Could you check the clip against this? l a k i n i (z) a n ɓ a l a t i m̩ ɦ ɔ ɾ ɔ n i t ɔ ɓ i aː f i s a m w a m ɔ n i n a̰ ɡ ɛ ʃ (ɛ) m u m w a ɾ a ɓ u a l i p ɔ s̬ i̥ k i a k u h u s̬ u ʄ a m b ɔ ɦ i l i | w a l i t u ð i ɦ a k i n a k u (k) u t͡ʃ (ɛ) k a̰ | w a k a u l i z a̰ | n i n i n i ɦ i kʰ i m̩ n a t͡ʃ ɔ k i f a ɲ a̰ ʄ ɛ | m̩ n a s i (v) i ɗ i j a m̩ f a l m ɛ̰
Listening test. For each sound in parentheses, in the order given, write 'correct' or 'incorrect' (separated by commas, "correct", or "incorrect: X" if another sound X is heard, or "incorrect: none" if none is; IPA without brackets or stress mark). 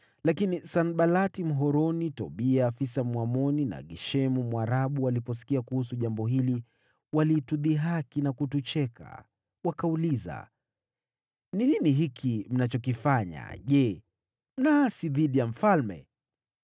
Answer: incorrect: s, correct, incorrect: t, correct, incorrect: ð